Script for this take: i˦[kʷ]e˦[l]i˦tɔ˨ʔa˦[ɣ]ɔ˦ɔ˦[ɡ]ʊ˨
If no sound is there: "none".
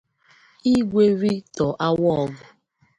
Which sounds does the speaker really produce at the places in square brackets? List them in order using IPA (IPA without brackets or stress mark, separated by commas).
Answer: ɡʷ, ɾ, w, ɡ